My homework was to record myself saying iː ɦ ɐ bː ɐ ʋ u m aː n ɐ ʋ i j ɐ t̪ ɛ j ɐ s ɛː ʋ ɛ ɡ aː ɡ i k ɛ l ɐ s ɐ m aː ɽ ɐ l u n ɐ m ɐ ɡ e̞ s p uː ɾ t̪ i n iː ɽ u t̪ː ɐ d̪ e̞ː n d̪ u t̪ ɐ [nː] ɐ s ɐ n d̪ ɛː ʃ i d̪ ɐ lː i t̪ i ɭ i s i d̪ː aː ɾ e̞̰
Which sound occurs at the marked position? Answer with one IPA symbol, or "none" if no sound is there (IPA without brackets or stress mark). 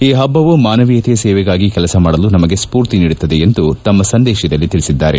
mː